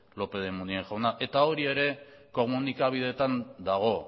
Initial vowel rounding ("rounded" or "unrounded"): rounded